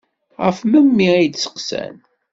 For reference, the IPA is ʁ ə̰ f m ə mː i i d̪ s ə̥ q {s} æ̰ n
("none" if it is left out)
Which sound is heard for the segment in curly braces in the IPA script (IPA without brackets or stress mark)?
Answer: s